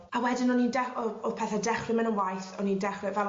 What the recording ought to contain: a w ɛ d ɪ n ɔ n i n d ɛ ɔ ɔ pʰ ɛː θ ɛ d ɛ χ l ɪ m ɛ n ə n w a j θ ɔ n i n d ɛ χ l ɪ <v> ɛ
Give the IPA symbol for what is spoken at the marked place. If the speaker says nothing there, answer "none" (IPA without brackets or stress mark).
v